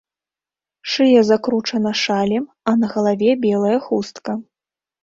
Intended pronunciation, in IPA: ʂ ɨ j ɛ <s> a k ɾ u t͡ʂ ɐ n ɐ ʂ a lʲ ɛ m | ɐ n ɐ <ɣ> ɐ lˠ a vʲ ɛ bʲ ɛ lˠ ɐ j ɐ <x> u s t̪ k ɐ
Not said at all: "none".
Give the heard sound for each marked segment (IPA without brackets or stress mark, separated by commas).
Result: z, ɣ, x